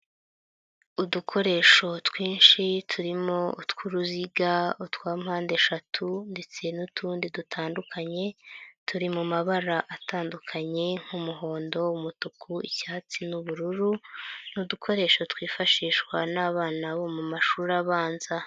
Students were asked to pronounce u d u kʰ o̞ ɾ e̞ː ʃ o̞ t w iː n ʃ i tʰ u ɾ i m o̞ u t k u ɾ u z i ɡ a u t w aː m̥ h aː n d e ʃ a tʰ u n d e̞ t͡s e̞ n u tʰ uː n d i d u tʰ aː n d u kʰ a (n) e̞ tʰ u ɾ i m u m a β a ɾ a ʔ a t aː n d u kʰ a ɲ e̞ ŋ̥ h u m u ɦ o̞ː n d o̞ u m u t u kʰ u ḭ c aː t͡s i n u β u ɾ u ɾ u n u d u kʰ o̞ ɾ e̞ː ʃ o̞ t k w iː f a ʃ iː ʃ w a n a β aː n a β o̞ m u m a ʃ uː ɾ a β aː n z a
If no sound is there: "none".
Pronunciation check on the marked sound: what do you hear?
ɲ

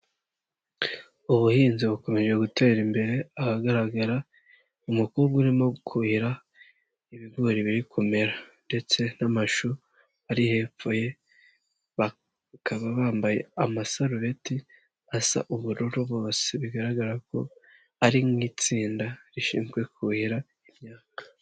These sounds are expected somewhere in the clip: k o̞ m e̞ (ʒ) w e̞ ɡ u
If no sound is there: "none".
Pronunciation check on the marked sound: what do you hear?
ʒ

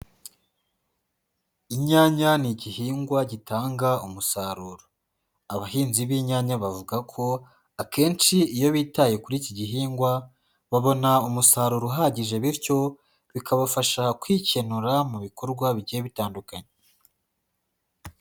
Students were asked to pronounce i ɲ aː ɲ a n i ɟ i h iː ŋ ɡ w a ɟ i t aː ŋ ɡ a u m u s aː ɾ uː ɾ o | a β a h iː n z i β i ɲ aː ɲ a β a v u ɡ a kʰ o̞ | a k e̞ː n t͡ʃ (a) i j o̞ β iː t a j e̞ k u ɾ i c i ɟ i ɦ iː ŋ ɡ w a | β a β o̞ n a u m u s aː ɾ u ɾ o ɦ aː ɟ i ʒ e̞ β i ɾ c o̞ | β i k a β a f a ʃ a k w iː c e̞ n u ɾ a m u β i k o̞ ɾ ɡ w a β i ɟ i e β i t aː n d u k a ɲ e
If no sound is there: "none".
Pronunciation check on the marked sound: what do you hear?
i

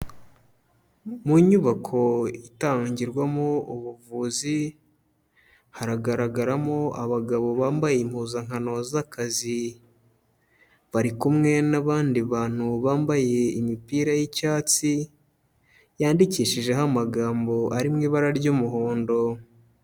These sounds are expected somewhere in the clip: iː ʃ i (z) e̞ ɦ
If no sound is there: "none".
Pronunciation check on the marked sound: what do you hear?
ʒ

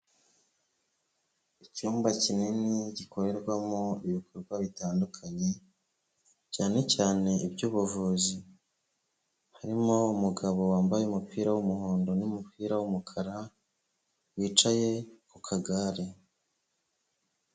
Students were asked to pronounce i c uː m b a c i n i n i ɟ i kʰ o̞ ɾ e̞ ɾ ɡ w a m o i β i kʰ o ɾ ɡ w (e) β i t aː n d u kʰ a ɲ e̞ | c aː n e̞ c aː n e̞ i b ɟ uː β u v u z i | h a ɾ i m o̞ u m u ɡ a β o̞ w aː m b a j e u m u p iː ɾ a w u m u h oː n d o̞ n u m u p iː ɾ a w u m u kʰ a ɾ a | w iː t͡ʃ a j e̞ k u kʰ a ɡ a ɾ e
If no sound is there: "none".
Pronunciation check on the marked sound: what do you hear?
a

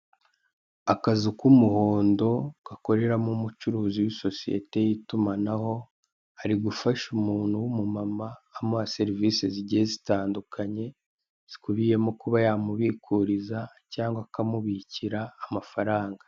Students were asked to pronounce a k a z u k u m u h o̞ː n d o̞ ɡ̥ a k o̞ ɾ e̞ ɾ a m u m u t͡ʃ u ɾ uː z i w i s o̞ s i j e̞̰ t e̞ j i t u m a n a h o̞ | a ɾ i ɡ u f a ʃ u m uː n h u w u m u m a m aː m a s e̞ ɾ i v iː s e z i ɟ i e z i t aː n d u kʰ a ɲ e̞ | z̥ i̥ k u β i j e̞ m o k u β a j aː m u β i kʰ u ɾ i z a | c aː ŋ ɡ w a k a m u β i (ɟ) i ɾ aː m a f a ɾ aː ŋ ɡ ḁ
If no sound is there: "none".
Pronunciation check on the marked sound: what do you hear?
c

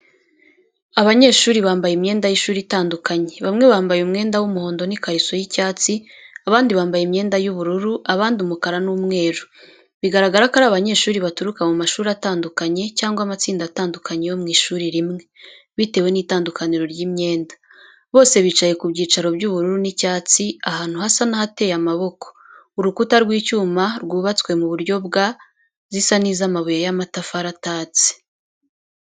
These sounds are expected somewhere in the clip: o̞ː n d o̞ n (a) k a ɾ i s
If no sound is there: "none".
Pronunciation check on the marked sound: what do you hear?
i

